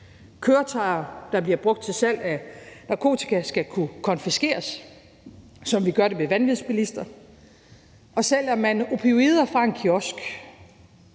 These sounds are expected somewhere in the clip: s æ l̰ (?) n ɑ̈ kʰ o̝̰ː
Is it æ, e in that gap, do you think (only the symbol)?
æ